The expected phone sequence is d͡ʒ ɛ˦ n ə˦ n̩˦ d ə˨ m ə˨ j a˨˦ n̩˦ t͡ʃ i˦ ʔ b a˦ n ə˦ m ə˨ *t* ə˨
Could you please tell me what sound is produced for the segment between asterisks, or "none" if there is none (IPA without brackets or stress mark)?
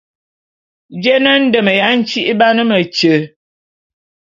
t͡ʃ